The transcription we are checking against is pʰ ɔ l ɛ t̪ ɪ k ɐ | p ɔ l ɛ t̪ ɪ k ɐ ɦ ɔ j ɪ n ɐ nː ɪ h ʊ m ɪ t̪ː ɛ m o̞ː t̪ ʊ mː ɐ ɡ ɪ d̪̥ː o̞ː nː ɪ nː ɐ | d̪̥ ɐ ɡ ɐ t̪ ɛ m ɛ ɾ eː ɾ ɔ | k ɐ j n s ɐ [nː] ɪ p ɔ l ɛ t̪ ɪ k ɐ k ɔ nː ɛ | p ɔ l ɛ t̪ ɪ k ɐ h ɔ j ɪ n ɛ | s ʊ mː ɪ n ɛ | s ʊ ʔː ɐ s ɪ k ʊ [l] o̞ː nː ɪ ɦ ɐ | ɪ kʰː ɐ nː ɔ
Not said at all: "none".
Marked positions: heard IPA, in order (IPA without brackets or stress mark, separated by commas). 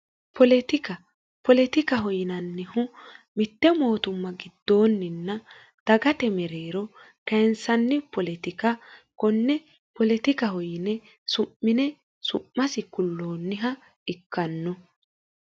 nː, lː